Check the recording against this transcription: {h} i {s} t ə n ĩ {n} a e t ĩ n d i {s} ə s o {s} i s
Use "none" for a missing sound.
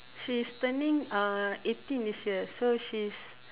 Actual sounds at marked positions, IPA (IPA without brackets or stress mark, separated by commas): ʃ, s, ŋ, s, ʃ